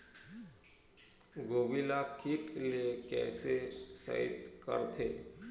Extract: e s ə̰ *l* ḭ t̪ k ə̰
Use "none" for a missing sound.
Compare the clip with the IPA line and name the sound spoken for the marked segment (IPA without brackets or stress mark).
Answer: none